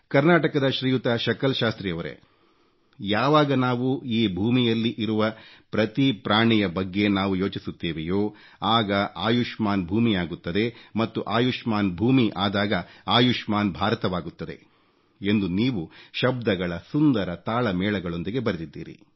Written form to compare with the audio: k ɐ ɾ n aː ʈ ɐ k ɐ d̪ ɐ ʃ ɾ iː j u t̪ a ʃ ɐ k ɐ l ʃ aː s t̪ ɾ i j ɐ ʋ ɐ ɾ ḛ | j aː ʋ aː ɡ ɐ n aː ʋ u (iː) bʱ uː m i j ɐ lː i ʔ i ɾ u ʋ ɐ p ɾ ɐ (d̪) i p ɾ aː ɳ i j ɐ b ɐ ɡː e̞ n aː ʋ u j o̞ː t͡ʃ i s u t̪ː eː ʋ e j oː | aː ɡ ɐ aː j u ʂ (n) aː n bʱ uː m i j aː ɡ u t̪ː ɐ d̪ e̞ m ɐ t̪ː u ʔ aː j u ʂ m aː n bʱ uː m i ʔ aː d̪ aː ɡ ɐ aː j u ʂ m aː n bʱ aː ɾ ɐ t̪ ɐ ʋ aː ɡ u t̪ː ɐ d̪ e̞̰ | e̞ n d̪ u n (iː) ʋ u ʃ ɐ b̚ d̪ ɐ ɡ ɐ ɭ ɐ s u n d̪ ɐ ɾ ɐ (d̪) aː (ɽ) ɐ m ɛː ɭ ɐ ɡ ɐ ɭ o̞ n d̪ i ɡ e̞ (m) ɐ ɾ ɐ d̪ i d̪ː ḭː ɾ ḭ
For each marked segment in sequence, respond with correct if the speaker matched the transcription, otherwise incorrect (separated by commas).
correct, incorrect, incorrect, correct, incorrect, incorrect, incorrect